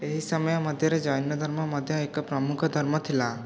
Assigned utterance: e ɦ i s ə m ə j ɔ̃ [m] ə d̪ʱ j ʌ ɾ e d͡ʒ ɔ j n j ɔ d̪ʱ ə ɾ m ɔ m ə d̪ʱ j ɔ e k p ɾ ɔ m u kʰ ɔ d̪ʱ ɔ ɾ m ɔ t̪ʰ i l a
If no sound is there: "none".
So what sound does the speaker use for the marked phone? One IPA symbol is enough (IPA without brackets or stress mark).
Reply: m